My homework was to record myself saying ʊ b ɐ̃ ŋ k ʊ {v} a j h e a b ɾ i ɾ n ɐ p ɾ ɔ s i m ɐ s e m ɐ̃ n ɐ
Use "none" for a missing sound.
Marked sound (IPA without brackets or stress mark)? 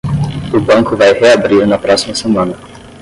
v